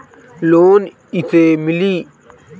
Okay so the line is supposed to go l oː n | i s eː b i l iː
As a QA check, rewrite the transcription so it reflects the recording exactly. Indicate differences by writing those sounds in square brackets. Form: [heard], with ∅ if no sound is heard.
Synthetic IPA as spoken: l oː n | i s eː [m] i l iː